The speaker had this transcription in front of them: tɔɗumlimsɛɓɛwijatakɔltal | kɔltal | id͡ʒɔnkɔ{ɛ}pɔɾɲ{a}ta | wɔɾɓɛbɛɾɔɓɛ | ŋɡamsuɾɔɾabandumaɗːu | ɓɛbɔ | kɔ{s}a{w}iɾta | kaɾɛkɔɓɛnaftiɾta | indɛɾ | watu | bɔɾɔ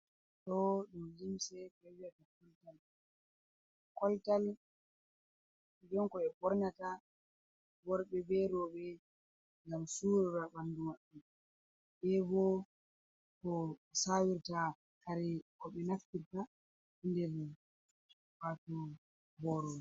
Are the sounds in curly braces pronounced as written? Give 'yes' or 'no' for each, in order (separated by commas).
yes, yes, yes, yes